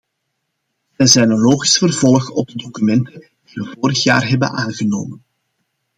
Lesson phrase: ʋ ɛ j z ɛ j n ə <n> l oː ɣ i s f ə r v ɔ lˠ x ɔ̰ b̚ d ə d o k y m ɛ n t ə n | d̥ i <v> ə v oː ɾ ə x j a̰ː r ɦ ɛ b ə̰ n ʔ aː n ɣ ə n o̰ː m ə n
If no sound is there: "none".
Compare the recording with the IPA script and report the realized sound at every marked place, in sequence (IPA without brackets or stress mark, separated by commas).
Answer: n, ʋ